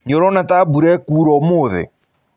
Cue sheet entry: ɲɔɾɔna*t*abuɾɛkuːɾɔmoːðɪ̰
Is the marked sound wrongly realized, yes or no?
no